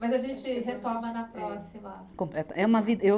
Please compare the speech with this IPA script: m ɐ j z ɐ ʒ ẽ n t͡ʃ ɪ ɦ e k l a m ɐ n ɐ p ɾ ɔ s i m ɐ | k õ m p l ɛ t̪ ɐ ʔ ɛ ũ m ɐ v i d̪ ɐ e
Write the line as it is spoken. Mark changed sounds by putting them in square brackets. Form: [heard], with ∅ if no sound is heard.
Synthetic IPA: m ɐ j z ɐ ʒ ẽ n t͡ʃ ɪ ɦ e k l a m ɐ n ɐ p ɾ ɔ s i m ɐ | k õ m p l ɛ t̪ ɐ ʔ ɛ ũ m ɐ v i d̪ ɐ e